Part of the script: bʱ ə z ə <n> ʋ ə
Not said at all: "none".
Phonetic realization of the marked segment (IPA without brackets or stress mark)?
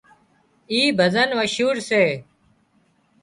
n